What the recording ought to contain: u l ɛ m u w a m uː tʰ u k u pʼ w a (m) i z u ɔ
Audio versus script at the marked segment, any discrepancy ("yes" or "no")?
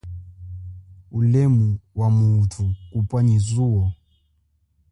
yes